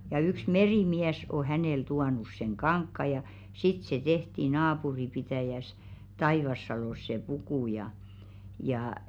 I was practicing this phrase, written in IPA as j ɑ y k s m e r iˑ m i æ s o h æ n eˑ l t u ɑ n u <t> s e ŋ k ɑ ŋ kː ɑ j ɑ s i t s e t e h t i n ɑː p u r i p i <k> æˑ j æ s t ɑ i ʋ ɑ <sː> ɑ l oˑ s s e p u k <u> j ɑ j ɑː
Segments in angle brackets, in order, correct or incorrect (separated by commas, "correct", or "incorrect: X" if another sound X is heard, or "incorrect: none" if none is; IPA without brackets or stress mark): incorrect: s, incorrect: t, correct, correct